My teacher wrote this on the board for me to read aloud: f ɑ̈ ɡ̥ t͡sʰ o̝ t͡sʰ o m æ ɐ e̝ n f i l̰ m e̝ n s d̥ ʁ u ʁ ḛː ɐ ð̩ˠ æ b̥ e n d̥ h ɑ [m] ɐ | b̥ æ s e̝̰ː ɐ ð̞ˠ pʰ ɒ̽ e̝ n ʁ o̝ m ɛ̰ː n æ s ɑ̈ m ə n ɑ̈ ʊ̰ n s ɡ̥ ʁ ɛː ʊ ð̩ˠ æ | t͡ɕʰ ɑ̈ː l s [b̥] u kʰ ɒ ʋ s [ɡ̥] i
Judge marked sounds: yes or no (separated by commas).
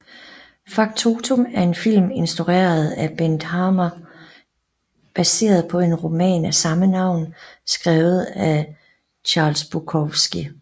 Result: yes, yes, yes